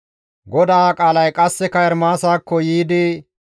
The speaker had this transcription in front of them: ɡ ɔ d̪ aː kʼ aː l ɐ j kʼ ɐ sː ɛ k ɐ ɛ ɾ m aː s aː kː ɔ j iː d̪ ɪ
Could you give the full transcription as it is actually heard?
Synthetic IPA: ɡ ɔ d̪ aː kʼ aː l ɐ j kʼ ɐ sː ɛ k ɐ ɛ ɾ m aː s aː kː ɔ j iː d̪ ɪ